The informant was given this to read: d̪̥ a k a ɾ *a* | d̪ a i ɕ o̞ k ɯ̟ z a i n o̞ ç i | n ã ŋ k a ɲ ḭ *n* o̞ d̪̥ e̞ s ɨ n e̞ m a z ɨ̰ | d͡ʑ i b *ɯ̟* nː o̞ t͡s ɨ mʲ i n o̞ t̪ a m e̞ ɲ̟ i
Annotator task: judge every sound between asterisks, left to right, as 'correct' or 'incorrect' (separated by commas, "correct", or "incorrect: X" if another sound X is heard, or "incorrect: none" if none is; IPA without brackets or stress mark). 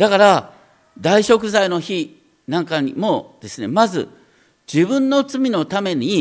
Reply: correct, incorrect: m, incorrect: ɯ̟̃